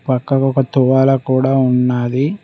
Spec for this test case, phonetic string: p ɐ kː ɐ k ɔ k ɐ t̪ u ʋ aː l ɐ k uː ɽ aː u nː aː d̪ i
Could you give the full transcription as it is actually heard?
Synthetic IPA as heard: p ɐ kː ɐ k ɔ k ɐ t̪ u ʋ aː l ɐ k uː ɽ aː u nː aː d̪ i